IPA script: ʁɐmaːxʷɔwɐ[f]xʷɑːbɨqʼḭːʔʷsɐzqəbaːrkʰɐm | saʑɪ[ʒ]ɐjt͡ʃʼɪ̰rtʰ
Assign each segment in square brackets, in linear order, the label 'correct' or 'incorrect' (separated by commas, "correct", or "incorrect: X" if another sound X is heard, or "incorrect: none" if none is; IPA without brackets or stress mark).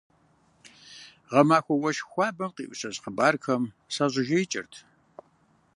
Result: incorrect: ʃ, correct